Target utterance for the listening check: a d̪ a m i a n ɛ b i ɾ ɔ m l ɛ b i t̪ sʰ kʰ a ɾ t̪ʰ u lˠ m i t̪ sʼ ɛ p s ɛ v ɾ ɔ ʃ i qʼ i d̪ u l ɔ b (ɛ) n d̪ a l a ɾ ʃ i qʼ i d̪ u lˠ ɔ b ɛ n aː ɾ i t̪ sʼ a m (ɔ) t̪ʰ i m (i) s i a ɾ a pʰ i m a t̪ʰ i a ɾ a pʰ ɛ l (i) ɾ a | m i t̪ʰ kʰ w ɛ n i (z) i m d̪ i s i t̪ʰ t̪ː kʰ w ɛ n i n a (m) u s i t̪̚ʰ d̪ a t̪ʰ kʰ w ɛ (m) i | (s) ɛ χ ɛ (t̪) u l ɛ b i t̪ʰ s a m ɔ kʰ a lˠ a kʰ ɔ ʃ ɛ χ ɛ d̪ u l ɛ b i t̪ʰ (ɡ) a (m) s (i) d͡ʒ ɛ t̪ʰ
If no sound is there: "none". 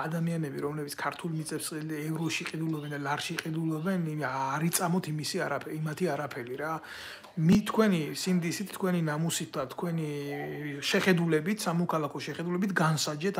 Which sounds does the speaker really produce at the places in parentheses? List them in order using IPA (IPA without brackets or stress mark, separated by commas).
ɛ, ɔ, i, i, s, m, n, ʃ, d̪, ɡ, n, a